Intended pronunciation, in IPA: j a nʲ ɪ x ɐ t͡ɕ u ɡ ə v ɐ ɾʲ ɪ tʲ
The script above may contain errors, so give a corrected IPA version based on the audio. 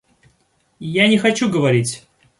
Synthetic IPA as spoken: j a nʲ ɪ x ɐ t͡ɕ u ɡ ə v ɐ ɾʲ i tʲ